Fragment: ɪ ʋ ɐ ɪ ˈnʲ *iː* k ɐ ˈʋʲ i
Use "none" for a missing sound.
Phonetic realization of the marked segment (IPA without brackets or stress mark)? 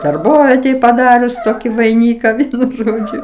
iː